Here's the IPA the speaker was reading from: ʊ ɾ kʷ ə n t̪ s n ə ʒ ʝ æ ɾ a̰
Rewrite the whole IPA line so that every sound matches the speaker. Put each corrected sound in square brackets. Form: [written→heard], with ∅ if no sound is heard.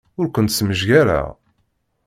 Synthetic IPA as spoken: ʊ ɾ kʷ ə n t̪ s [n→m] ə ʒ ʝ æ ɾ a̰